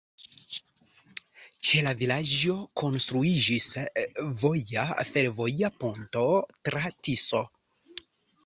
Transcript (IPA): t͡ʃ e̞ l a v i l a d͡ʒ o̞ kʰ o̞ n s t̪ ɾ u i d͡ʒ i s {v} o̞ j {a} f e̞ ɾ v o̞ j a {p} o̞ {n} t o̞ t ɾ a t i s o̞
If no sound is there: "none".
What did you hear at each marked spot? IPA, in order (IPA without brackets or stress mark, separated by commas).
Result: v, a, p, n